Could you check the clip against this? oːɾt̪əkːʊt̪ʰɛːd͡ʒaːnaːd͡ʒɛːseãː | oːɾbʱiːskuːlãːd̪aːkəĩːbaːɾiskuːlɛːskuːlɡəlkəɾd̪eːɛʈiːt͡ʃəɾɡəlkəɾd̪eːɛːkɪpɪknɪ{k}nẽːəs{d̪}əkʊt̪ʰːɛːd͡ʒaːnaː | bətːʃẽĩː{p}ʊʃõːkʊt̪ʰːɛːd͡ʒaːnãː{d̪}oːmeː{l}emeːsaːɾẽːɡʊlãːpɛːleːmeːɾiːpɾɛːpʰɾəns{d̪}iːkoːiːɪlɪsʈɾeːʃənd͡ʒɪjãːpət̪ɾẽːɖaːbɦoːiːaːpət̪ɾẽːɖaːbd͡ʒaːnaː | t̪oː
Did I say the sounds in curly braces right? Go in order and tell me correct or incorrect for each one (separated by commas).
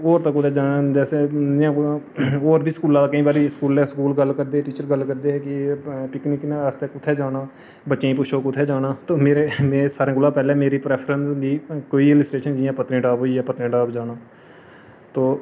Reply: correct, incorrect, correct, incorrect, incorrect, correct